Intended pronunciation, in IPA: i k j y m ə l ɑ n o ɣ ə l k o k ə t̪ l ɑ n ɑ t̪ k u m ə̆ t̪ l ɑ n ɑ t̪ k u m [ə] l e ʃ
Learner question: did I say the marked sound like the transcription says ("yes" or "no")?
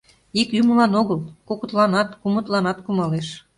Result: no